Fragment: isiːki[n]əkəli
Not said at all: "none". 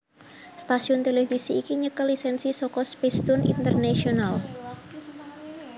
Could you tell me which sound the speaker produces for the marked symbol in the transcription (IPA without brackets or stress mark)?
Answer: ɲ